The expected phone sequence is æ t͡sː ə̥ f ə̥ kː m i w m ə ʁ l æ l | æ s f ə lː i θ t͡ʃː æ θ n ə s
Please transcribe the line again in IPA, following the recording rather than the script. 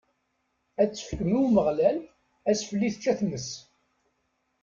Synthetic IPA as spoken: æ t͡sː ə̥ f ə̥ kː m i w m ə ʁ l æ l | æ s f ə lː i θ t͡ʃː æ θ n ə s